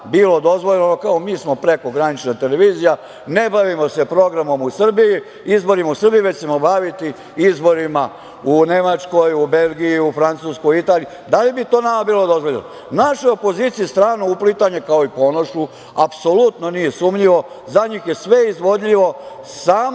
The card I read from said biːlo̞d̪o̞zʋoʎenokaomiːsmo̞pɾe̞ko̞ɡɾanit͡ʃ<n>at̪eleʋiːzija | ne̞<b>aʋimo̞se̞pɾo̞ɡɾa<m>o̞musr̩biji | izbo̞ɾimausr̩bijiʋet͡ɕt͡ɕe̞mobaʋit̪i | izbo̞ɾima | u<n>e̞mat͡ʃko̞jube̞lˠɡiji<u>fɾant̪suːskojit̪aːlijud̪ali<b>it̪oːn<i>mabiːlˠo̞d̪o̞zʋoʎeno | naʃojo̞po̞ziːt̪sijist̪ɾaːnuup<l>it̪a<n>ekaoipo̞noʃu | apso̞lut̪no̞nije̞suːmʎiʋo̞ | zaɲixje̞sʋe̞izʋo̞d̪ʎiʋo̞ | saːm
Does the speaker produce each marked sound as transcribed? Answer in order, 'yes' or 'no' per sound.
yes, yes, yes, yes, yes, yes, no, yes, no

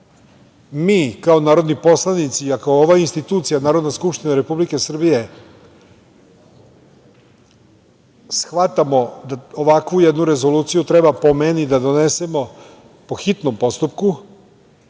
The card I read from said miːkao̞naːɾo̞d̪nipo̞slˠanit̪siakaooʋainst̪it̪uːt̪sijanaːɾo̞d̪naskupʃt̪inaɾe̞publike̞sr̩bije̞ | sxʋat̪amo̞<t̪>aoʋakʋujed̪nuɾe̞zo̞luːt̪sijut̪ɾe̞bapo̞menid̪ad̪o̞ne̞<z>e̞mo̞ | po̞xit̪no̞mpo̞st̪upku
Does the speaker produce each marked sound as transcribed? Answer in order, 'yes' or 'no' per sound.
no, no

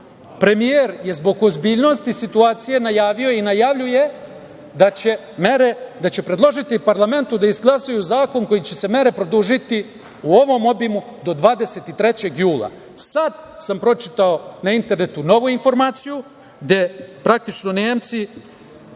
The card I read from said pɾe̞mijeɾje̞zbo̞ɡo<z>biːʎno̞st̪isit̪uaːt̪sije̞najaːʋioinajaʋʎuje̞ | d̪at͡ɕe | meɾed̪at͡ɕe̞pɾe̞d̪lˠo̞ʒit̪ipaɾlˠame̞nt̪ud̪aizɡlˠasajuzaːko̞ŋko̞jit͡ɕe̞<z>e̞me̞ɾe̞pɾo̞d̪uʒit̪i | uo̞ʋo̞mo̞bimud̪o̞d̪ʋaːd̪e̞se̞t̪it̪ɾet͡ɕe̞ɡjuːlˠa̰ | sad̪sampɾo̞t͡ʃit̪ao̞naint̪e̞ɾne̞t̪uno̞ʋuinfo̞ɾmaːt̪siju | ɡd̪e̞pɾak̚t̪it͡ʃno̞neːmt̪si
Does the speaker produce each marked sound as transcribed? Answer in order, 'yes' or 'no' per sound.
yes, no

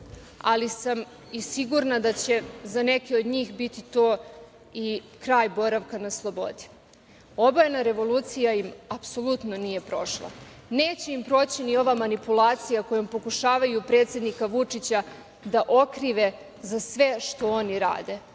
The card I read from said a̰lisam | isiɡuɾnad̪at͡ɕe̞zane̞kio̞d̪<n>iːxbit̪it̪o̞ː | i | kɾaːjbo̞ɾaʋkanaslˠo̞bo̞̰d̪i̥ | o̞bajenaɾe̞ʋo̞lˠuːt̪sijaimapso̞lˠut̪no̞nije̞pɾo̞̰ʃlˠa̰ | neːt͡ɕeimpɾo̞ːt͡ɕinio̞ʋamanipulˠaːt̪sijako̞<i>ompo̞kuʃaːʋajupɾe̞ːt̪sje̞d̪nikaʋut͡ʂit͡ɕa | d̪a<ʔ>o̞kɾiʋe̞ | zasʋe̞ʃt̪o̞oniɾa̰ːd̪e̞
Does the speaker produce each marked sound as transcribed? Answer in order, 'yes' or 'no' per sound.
no, no, yes

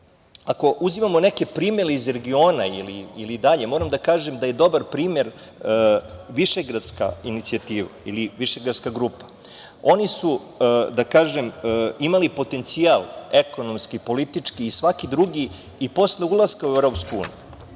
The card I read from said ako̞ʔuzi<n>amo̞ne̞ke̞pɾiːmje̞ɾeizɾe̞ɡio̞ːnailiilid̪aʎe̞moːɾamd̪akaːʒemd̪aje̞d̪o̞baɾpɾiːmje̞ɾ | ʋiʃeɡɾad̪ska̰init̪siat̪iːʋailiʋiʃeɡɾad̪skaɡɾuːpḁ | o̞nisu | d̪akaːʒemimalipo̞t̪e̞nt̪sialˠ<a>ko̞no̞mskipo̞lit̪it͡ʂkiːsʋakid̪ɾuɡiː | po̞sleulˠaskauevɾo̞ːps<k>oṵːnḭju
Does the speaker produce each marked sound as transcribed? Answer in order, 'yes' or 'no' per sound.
no, no, yes

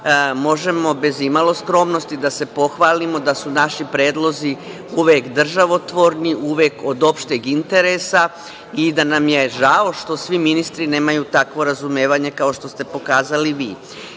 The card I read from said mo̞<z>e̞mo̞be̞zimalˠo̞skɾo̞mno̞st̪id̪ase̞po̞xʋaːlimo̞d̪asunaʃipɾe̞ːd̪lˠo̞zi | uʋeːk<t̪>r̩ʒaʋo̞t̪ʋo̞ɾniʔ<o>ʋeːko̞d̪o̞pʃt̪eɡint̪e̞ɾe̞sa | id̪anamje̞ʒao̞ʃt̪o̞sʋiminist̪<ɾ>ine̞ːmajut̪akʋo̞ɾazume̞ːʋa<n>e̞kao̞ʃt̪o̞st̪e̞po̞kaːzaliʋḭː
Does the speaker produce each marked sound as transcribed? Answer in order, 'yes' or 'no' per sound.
no, no, no, yes, no

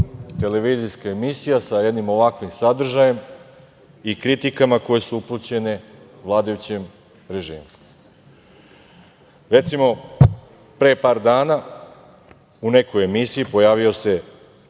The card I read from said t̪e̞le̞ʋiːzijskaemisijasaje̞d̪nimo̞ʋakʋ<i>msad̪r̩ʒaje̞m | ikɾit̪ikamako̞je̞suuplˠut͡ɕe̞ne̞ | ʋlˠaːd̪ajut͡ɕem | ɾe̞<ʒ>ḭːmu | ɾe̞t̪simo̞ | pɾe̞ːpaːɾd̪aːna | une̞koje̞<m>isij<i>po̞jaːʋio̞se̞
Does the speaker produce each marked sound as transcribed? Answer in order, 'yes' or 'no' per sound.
yes, yes, yes, yes

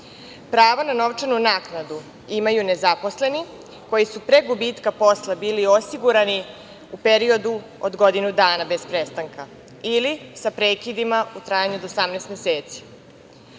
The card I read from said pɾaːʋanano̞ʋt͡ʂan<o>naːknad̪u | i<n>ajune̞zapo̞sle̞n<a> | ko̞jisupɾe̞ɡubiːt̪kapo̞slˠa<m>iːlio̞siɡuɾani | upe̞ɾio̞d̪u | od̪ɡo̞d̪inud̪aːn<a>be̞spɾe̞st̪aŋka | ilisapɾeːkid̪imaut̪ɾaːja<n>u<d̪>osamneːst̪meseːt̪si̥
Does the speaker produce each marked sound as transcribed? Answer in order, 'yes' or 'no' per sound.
no, no, no, no, yes, no, yes

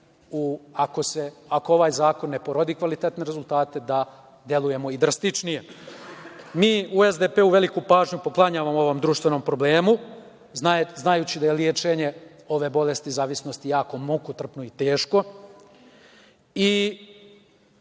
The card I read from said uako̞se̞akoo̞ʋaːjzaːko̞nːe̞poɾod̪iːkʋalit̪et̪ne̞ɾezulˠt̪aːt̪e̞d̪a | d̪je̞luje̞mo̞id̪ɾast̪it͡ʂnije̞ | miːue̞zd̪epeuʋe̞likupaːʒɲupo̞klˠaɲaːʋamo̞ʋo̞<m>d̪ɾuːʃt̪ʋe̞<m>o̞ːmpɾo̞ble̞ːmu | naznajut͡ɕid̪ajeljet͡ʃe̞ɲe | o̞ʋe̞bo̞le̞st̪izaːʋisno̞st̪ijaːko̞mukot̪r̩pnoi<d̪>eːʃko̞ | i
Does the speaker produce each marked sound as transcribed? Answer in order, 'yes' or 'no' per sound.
yes, no, no

